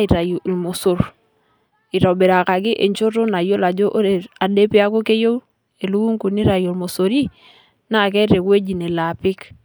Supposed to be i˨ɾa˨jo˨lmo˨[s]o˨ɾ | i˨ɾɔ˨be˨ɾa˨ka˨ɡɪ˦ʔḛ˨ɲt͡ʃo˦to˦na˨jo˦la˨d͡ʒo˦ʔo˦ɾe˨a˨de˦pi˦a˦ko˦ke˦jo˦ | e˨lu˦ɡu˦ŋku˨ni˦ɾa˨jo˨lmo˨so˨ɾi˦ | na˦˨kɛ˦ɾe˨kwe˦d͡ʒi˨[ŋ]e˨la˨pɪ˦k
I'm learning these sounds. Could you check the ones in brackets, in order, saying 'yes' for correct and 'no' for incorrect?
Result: yes, no

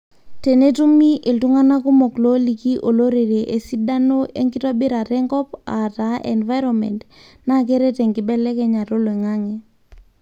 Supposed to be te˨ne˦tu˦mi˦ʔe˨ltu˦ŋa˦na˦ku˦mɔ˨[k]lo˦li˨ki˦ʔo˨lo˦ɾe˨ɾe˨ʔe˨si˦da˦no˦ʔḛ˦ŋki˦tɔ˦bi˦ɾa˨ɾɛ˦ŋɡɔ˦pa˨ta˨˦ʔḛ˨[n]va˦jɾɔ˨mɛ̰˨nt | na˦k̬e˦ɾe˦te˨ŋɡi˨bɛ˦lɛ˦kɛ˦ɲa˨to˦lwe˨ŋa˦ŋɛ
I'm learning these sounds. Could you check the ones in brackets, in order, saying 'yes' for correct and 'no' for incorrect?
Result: yes, yes

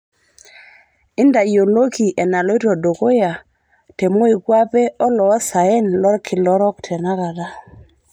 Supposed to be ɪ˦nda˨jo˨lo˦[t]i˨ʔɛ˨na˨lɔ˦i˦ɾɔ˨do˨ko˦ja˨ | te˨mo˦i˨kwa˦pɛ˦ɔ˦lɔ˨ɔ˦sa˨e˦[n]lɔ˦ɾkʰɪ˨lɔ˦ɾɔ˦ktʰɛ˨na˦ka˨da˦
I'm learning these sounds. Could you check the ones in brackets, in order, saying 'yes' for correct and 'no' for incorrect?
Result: no, yes

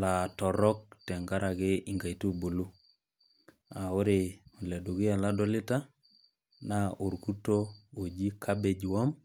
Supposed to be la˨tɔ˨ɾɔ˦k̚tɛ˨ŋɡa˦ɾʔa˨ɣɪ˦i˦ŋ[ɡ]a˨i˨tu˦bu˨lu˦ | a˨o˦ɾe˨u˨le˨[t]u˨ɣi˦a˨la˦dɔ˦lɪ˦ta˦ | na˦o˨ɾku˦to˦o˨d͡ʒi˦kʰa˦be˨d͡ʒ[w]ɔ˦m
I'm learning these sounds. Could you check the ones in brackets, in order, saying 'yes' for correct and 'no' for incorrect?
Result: yes, no, yes

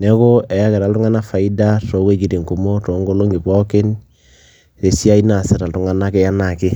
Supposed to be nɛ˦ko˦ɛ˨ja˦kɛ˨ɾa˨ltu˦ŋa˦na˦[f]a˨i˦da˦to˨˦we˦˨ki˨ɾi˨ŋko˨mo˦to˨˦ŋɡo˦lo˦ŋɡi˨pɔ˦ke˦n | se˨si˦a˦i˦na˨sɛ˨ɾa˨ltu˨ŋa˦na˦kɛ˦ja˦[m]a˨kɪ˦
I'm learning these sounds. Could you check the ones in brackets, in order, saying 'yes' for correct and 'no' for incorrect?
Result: yes, no

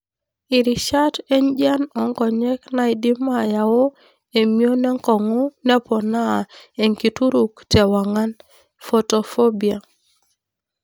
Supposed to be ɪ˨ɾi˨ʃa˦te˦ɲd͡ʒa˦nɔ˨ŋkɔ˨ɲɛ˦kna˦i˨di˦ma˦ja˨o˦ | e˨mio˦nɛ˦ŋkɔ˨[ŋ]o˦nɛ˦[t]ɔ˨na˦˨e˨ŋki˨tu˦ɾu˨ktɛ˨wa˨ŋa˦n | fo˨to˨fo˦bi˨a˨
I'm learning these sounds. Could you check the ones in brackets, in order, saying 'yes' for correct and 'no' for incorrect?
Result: yes, no

